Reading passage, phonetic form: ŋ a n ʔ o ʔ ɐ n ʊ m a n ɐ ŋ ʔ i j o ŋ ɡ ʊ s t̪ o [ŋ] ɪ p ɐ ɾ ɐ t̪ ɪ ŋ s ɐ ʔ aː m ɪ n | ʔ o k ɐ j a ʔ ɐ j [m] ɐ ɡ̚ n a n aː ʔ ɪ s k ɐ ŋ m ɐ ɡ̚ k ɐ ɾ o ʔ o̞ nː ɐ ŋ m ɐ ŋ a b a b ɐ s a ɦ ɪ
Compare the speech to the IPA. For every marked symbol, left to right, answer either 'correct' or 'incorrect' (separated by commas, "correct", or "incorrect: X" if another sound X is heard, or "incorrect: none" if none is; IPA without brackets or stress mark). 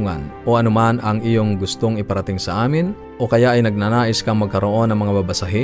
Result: correct, incorrect: n